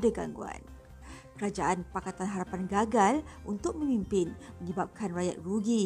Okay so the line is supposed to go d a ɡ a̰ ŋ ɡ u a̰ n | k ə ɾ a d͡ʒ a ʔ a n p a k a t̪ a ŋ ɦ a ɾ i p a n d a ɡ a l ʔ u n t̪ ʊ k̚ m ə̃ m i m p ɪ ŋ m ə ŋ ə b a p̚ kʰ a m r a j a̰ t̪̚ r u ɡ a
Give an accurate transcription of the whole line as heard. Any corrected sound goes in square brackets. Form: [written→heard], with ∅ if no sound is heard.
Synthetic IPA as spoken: d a ɡ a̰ ŋ ɡ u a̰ n | k ə ɾ a d͡ʒ a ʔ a n p a k a t̪ a [ŋ→n] ɦ a ɾ [i→a] p a n [d→ɡ] a ɡ a l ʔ u n t̪ ʊ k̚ m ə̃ m i m p ɪ [ŋ→n] m ə [ŋ→ɲ] ə b a p̚ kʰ a [m→n] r a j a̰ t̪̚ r u ɡ [a→i]